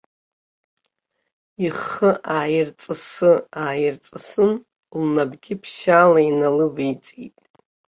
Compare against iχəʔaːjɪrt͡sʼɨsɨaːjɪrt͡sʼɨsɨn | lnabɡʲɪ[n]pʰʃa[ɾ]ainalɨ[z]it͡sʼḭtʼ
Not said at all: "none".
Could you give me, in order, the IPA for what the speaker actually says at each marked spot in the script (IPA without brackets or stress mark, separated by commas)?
none, l, v